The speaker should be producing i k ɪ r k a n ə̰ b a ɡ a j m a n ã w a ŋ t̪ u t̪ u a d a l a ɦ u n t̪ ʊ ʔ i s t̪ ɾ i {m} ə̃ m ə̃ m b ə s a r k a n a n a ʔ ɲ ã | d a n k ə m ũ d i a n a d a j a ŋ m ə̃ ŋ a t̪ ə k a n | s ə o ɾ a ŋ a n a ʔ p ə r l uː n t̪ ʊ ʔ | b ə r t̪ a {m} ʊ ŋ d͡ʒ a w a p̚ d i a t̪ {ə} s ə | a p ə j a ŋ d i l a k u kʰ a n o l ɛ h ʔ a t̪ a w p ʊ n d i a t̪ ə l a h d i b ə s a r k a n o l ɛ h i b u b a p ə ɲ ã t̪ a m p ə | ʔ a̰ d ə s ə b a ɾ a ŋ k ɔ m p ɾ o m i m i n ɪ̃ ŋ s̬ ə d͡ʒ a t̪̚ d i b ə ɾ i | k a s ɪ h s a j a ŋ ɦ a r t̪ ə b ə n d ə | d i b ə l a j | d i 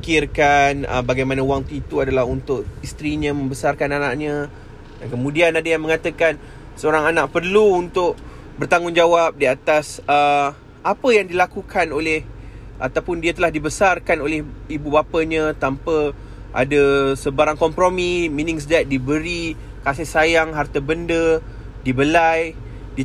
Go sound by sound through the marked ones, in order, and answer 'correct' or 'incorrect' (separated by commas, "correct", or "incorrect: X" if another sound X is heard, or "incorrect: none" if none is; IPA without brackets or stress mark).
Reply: incorrect: ɲ, incorrect: ŋ, incorrect: a